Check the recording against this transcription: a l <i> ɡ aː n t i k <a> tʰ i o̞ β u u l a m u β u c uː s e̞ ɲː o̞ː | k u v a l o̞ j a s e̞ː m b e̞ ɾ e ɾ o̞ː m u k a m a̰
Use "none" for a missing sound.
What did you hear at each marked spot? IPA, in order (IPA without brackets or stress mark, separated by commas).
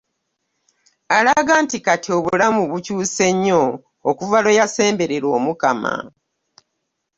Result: a, a